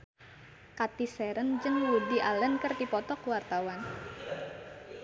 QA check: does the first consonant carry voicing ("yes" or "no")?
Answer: no